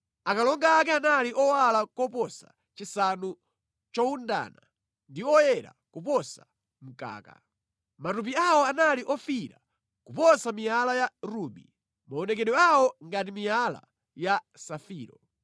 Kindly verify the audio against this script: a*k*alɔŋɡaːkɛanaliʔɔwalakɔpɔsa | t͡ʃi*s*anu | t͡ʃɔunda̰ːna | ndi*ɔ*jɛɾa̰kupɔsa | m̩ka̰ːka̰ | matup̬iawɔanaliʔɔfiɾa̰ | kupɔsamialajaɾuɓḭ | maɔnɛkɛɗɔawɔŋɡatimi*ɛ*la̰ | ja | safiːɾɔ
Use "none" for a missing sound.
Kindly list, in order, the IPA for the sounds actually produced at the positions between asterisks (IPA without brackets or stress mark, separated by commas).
k, s, ɔ, a